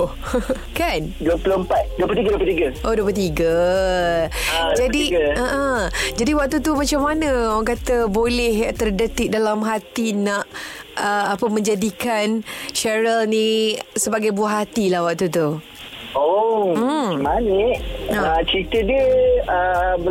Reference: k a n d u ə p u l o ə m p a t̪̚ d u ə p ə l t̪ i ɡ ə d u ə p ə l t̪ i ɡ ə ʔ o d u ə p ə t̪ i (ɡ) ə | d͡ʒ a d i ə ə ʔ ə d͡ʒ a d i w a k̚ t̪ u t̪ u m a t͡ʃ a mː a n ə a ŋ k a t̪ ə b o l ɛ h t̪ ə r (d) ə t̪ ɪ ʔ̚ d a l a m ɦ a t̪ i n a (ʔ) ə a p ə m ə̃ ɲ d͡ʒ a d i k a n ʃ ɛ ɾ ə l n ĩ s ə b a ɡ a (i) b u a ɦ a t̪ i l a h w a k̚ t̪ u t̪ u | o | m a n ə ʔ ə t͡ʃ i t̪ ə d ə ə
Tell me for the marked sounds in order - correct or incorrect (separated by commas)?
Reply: correct, correct, correct, incorrect